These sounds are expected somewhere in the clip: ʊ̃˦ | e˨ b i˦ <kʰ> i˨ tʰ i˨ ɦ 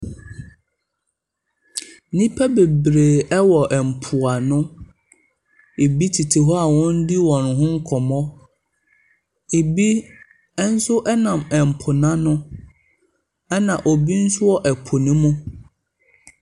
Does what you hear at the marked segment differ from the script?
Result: yes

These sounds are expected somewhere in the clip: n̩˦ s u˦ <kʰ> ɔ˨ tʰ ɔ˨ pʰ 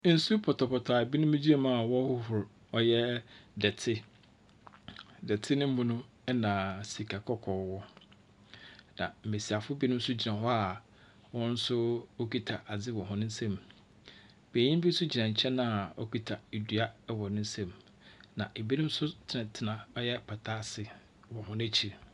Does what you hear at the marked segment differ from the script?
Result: yes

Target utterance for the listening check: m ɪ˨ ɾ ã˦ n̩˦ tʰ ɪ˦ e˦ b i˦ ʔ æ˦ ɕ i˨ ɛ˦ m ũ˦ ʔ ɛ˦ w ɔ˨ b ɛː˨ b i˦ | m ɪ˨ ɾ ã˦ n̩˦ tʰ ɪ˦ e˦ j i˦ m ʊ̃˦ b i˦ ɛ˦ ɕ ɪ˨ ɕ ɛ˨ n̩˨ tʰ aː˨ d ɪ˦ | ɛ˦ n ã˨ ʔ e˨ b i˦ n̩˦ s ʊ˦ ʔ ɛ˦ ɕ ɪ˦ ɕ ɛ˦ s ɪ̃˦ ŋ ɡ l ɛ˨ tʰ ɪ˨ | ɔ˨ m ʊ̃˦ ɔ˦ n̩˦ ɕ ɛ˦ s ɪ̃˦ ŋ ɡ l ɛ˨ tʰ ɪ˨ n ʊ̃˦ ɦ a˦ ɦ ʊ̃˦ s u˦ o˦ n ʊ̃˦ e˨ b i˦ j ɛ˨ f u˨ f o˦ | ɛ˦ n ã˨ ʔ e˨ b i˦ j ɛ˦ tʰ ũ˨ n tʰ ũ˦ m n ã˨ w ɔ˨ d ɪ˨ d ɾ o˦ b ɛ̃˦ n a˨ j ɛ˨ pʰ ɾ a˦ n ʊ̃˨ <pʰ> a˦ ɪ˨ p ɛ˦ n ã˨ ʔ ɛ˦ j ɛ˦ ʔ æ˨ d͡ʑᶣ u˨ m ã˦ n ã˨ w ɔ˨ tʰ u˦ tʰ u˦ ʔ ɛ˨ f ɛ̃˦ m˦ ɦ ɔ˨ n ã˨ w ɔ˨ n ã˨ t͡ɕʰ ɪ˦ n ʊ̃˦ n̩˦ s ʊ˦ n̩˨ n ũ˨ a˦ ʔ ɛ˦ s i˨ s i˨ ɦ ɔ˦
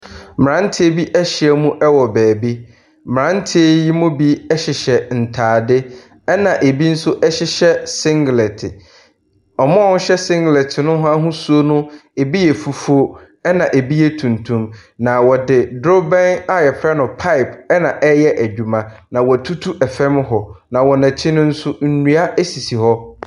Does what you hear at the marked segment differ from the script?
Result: no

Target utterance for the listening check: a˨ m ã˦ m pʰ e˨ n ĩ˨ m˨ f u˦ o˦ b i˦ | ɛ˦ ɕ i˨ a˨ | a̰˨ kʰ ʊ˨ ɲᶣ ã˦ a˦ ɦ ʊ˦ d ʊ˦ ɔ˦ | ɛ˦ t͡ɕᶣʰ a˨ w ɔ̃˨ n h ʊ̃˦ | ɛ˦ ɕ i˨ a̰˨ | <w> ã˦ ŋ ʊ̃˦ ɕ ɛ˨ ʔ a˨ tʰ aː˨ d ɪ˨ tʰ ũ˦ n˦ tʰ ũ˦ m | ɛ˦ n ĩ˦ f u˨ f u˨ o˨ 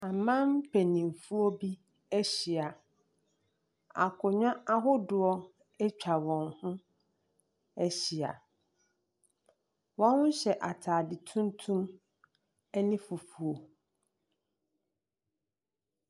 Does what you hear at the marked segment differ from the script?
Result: no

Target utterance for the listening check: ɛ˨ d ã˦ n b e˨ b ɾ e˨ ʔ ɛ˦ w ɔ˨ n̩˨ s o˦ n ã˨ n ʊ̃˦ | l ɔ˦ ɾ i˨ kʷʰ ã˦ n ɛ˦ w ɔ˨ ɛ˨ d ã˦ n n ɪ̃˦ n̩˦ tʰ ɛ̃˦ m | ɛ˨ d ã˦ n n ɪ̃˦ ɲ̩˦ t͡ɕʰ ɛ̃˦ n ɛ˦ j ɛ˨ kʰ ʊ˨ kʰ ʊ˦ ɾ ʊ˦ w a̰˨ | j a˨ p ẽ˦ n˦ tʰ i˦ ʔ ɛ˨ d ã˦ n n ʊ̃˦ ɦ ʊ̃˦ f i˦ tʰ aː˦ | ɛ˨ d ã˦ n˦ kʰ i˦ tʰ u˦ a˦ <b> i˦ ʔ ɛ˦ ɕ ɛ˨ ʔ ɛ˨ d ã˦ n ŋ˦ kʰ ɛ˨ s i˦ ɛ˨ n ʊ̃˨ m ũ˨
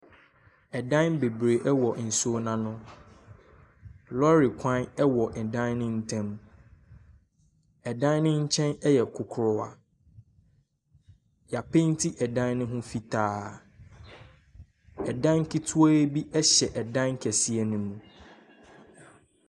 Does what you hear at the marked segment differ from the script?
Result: no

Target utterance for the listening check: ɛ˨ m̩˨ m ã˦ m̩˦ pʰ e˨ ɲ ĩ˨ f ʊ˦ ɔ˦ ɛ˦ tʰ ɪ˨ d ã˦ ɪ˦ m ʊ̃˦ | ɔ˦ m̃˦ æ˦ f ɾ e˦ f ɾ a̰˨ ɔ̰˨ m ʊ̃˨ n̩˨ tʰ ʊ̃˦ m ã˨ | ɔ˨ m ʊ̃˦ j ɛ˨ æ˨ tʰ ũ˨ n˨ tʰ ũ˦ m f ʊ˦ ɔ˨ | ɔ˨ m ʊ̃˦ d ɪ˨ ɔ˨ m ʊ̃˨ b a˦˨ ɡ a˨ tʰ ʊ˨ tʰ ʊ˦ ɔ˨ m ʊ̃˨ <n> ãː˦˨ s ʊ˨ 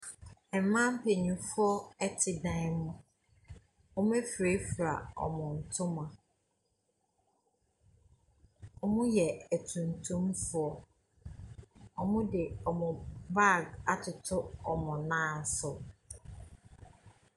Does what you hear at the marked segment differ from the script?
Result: no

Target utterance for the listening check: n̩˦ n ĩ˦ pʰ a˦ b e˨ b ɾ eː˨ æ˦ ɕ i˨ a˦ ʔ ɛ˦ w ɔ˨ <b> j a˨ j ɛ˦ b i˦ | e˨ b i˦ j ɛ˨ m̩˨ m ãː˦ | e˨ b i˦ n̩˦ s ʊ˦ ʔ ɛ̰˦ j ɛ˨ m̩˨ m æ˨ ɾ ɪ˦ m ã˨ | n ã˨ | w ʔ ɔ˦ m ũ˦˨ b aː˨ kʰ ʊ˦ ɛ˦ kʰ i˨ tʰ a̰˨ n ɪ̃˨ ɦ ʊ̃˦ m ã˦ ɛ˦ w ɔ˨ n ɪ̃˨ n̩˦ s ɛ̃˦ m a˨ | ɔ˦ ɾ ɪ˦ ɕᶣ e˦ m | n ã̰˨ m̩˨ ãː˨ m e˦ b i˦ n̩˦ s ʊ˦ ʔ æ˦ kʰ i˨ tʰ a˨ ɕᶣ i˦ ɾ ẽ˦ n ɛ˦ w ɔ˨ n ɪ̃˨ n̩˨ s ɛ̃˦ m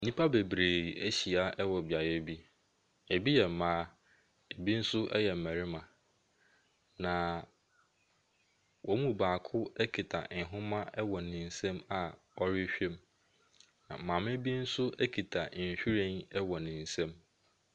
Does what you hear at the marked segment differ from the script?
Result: no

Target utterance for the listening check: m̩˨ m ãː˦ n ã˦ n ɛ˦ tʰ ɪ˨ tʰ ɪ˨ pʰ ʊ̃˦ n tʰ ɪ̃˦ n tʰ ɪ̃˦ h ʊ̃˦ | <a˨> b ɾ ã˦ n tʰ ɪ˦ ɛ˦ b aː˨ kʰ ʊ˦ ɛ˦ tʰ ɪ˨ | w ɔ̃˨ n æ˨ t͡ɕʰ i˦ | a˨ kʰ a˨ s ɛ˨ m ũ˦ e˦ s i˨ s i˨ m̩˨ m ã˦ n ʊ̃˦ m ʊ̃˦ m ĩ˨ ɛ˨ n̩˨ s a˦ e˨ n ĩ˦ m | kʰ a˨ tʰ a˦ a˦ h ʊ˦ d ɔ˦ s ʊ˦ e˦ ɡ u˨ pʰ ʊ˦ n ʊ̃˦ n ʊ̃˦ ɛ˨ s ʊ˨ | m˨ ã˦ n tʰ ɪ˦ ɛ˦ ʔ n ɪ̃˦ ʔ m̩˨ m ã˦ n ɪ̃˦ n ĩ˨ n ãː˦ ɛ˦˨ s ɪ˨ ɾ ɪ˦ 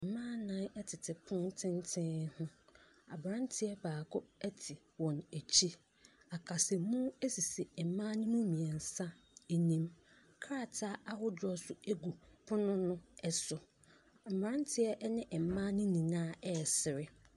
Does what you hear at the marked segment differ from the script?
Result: no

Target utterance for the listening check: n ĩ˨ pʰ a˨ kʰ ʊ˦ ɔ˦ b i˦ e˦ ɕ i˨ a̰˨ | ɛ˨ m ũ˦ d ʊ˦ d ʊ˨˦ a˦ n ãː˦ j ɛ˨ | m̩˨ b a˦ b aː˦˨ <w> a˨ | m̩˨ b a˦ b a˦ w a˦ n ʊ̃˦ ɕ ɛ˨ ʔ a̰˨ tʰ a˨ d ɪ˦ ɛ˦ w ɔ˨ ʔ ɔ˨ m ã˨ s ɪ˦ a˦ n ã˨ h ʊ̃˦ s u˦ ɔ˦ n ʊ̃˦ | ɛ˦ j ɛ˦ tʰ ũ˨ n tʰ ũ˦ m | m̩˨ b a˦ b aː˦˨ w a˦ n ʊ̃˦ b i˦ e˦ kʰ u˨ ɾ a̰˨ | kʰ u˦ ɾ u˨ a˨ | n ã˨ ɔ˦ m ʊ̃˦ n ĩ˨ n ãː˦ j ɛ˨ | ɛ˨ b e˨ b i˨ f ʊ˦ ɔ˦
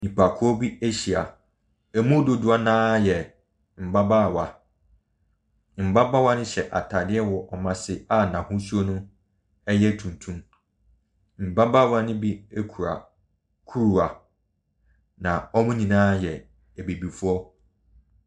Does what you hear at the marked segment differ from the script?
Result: no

